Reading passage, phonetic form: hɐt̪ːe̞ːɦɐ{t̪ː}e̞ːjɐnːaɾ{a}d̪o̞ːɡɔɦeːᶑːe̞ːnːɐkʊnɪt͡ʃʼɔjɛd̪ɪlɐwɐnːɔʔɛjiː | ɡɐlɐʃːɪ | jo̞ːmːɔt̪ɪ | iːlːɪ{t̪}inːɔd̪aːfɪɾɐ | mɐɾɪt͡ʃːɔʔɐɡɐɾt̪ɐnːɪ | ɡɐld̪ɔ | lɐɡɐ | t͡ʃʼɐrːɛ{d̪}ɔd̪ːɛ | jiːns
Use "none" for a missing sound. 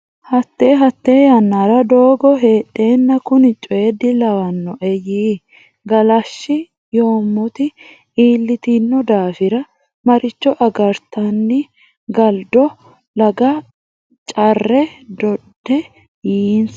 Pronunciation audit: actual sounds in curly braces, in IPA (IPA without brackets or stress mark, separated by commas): t̪ː, ɐ, t̪, d̪